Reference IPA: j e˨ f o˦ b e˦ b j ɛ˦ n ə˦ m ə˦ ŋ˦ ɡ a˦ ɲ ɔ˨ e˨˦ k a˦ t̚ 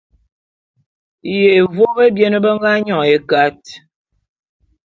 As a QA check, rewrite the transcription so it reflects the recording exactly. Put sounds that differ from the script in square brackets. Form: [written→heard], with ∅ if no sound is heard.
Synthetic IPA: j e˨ [f→v] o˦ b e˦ b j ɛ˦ n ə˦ [m→b] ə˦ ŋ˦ ɡ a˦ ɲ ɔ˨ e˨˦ k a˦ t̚